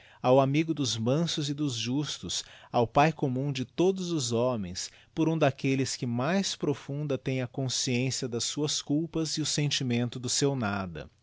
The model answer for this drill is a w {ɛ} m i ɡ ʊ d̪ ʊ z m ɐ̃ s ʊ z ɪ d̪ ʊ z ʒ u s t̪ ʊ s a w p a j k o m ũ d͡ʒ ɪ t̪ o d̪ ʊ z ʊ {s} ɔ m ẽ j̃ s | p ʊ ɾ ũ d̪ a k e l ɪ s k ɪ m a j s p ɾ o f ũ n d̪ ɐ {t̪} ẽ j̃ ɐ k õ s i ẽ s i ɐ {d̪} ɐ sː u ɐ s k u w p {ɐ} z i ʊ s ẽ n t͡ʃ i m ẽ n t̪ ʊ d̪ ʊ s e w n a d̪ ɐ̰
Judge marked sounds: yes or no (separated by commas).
no, no, yes, yes, yes